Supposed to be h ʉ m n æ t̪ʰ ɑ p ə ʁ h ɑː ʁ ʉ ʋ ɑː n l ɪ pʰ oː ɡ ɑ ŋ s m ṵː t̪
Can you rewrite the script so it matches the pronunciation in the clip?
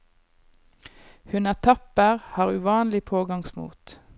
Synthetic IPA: h ʉ n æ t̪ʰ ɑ p ə ʁ h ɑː ʁ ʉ ʋ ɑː n l ɪ pʰ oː ɡ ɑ ŋ s m ṵː t̪